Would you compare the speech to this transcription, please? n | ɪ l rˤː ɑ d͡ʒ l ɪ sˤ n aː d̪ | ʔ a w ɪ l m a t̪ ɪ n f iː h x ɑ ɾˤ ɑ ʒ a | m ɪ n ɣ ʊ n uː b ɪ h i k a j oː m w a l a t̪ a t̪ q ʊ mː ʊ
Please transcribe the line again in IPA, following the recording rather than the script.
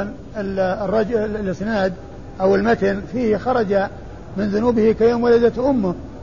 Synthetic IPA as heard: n | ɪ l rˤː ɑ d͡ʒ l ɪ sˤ n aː d̪ | ʔ a w ɪ l m a t̪ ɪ n f iː h x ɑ ɾˤ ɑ d͡ʒ a | m ɪ n ð ʊ n uː b ɪ h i k a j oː m w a l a d̪ a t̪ ʔ ʊ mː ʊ